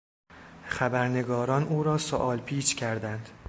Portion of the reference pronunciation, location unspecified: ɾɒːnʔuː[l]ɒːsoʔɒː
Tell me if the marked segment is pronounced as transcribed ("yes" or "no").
no